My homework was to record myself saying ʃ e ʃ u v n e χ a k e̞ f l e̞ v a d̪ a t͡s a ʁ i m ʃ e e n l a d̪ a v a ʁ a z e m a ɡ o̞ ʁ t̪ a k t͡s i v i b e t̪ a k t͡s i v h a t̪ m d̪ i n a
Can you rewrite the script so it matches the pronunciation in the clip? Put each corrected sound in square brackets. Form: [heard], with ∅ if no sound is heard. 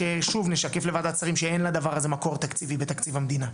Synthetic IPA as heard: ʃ e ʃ u v n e [ʃ] a k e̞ f l e̞ v a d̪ a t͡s a ʁ i m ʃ e e n l a d̪ a v a ʁ a z e m a [k] o̞ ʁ t̪ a k t͡s i v i b e t̪ a k t͡s i v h a [∅] m d̪ i n a